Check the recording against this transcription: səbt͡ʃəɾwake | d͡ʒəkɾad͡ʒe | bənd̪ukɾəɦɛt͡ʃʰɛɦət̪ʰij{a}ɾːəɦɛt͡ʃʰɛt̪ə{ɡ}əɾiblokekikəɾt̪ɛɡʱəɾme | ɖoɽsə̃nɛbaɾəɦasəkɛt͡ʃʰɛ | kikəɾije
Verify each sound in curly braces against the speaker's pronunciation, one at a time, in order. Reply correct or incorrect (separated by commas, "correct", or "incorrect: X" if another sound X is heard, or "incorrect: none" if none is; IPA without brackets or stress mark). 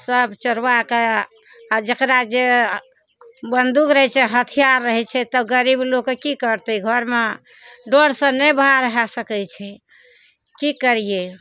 correct, correct